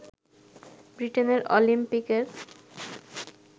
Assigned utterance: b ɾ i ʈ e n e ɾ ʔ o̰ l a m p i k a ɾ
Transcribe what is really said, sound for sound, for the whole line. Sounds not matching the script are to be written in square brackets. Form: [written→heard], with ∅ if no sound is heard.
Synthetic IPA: b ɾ i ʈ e n e ɾ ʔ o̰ l [a→i] m p i k [a→e] ɾ